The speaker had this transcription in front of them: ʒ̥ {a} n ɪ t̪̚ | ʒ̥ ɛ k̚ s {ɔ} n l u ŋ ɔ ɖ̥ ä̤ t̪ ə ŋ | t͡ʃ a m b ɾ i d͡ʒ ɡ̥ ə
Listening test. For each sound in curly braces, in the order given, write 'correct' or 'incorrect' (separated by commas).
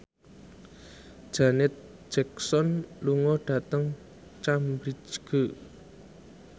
correct, correct